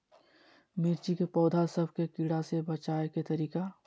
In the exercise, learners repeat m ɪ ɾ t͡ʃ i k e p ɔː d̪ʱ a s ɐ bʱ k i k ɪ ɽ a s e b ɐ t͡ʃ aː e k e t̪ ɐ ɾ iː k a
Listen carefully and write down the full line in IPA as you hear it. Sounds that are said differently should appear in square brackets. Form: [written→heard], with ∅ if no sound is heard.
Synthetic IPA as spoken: m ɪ ɾ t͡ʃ i k e p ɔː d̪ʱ a s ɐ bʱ k [i→e] k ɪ ɽ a s e b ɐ t͡ʃ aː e k e t̪ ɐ ɾ iː k a